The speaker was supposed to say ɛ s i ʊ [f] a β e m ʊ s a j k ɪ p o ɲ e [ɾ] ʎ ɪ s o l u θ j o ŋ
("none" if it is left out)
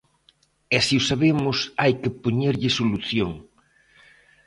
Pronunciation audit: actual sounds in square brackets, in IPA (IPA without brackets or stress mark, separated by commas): s, ɾ